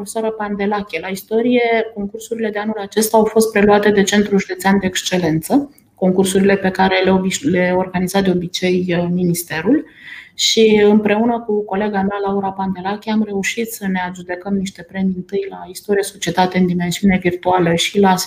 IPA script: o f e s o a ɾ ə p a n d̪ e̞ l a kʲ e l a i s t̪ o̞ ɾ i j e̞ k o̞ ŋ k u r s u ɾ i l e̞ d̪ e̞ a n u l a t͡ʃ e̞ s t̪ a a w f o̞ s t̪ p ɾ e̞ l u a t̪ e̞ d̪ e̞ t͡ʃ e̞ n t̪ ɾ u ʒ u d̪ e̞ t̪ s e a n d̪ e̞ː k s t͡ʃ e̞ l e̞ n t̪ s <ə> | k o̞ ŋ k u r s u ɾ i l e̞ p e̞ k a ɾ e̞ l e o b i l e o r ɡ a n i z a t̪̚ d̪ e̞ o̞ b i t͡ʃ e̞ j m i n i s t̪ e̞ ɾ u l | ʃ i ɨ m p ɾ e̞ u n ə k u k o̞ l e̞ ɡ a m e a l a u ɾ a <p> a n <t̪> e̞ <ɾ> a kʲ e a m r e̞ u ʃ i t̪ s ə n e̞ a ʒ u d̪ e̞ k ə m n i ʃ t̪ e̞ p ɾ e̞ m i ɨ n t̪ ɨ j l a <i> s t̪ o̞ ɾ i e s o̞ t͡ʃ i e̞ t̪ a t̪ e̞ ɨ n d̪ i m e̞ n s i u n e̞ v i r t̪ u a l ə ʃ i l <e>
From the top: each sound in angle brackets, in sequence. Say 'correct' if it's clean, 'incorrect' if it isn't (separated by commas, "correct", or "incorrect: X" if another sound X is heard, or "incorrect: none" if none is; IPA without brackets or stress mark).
correct, correct, incorrect: d̪, incorrect: l, correct, incorrect: a